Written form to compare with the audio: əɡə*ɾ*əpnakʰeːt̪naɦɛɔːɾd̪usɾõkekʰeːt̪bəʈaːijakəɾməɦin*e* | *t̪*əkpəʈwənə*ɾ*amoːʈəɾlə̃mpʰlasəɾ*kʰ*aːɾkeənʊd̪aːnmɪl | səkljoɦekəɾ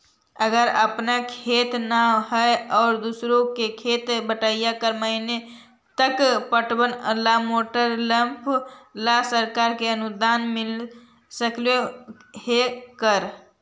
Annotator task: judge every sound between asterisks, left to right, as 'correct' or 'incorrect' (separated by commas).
correct, correct, correct, incorrect, incorrect